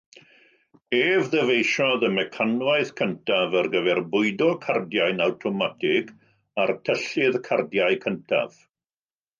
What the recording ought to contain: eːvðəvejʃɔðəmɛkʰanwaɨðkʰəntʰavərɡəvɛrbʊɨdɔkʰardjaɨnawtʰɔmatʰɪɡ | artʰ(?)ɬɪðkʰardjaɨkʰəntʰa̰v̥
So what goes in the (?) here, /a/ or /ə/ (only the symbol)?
ə